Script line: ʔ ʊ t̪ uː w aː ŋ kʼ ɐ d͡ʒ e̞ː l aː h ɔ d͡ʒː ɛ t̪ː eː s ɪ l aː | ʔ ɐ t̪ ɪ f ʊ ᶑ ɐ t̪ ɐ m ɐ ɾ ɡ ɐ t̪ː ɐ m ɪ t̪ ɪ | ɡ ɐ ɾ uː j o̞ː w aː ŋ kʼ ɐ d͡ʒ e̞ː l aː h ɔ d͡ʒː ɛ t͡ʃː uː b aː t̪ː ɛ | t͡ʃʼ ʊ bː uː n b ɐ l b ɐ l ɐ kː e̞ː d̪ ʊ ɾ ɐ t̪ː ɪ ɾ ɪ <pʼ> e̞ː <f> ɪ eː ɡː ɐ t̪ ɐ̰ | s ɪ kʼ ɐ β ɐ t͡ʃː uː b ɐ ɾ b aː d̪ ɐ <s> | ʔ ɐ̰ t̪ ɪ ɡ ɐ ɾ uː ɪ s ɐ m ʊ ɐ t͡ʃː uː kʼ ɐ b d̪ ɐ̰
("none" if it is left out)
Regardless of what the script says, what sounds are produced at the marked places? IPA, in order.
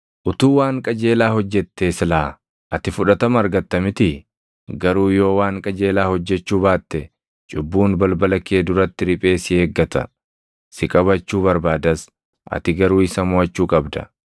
pʼ, s, s

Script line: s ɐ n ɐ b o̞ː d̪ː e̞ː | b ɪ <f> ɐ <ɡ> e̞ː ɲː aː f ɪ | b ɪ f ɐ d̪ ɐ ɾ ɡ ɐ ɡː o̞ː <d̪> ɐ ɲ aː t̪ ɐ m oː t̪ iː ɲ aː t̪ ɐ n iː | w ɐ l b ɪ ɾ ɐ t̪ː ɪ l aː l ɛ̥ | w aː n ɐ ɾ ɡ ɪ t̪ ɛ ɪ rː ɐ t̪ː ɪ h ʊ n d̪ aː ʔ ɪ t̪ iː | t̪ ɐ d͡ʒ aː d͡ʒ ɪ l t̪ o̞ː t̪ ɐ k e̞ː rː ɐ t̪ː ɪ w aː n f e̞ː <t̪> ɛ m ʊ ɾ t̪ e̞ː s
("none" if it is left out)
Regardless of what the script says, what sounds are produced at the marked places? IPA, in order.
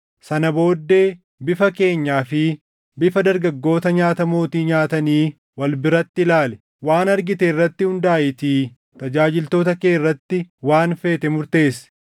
f, k, t̪, t̪

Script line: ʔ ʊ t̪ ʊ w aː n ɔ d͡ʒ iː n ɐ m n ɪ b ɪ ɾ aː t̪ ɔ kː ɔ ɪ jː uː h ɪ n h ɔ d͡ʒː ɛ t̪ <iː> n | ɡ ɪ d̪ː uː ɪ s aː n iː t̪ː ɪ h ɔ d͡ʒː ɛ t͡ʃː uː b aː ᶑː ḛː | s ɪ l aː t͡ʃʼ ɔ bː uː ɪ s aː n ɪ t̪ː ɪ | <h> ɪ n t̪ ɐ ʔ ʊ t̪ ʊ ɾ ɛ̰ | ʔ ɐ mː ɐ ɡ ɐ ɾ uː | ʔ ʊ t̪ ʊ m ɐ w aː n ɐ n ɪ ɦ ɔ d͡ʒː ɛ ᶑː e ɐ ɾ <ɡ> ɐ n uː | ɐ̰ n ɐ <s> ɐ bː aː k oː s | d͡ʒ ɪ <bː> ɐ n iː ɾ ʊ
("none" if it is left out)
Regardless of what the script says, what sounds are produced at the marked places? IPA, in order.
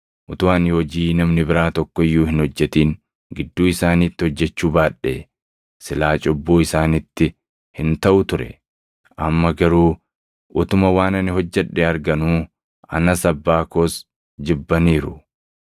iː, h, ɡ, s, bː

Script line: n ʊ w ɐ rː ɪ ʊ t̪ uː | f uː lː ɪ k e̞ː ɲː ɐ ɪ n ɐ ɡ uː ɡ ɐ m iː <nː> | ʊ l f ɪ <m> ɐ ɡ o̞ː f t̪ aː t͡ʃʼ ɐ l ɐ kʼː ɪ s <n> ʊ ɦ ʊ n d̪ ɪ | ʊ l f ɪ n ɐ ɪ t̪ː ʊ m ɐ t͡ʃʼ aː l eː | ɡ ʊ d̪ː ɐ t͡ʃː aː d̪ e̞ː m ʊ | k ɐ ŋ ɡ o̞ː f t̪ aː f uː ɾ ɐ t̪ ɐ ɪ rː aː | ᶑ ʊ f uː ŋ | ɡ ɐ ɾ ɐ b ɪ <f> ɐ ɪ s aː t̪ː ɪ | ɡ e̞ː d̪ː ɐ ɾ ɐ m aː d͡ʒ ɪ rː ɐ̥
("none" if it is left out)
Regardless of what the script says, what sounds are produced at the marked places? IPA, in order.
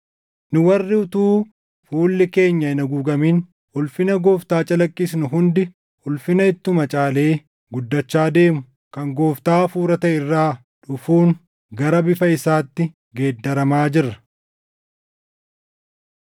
n, n, n, f

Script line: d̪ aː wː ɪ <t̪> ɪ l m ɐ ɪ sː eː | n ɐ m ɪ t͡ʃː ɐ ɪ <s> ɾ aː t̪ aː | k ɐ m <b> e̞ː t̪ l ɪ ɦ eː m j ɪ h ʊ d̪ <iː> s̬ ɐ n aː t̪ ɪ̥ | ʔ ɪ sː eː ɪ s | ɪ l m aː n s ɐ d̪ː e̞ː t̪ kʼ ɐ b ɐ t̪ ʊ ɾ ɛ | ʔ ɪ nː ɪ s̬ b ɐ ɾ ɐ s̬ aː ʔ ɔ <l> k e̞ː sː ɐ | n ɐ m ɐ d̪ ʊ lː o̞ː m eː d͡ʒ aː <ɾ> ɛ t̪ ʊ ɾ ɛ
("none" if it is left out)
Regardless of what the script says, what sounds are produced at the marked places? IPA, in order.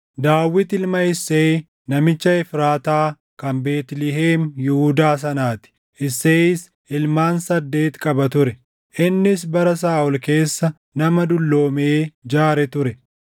t̪, f, b, aː, l, ɾ

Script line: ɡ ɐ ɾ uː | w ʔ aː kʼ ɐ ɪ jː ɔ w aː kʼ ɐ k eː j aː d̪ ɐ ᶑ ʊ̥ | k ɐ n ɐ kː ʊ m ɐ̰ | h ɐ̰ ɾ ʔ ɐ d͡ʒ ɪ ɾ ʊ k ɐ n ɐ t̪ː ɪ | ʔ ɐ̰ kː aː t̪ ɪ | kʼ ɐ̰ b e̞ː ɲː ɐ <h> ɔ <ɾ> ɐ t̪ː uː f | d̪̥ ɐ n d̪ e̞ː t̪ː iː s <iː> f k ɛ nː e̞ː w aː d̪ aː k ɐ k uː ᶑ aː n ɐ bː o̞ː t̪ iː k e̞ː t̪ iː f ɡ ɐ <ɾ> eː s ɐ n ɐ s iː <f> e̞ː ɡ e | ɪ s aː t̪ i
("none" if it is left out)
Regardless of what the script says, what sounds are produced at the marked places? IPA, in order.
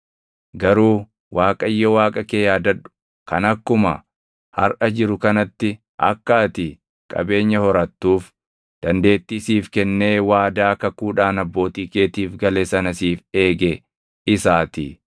h, ɾ, iː, l, f

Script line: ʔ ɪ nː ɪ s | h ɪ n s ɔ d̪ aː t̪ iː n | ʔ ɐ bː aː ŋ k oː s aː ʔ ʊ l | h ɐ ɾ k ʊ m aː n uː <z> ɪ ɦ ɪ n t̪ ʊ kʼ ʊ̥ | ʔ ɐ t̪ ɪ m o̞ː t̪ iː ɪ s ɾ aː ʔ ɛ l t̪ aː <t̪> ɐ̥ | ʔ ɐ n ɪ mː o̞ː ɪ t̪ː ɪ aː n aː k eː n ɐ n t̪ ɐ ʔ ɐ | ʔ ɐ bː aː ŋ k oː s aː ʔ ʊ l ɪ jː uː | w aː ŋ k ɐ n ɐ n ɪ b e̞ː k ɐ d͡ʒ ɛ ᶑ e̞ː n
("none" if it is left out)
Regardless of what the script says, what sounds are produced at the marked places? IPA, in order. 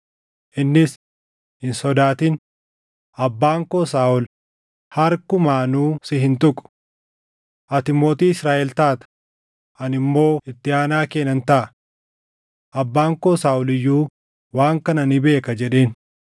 s, t̪

